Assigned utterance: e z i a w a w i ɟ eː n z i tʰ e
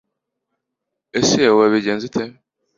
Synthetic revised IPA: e s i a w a β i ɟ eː n z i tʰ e